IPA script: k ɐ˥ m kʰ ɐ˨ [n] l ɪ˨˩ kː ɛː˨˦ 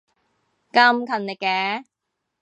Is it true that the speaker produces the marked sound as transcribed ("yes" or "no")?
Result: yes